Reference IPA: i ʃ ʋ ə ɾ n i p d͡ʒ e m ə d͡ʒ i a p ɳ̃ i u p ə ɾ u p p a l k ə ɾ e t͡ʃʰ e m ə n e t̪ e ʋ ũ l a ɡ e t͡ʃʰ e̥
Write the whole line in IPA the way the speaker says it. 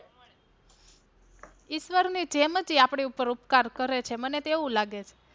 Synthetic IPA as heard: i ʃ ʋ ə ɾ n i d͡ʒ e m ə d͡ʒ i a p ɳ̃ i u p ə ɾ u p k a ɾ k ə ɾ e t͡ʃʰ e m ə n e t̪ e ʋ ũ l a ɡ e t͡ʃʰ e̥